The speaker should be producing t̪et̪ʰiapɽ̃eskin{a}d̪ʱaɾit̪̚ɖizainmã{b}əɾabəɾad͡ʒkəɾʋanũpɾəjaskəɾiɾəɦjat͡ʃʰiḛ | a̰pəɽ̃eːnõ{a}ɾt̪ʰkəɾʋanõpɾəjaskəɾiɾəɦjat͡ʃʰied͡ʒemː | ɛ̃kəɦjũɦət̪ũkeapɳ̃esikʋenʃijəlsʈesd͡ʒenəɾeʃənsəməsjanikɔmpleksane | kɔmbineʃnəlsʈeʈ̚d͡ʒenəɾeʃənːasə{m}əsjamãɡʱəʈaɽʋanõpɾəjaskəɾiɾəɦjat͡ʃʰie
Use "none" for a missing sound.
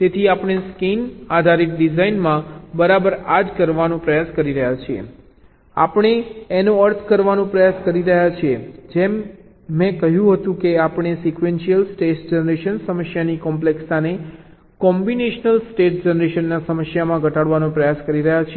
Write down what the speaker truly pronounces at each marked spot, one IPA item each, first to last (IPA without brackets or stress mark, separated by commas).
a, b, ə, m